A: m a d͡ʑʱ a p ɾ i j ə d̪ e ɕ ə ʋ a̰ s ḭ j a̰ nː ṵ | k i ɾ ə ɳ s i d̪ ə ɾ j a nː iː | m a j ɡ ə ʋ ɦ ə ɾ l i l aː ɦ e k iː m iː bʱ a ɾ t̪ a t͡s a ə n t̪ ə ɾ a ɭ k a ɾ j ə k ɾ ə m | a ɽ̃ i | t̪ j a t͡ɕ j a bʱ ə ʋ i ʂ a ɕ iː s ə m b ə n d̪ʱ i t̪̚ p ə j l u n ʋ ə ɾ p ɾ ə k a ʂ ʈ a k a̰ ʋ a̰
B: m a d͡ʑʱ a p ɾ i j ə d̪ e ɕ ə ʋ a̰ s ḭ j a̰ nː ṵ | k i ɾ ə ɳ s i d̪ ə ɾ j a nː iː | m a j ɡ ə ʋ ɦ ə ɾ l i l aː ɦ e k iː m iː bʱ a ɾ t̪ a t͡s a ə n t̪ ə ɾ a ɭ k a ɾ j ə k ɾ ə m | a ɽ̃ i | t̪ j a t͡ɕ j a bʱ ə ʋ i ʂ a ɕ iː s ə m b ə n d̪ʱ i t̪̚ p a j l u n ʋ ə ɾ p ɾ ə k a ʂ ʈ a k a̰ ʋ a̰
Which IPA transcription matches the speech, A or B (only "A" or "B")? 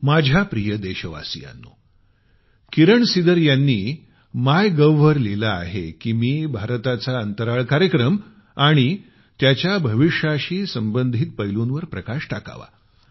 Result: A